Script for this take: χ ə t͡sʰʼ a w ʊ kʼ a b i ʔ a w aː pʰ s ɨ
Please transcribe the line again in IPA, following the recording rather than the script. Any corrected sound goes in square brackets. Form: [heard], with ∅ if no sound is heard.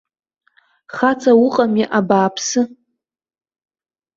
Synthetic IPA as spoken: χ [a] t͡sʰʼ a w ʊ [qʼ] a [m] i ʔ a [b] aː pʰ s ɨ